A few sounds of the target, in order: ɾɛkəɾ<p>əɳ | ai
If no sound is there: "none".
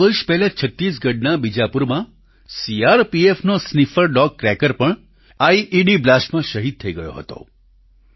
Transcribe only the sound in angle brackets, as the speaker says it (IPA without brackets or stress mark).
p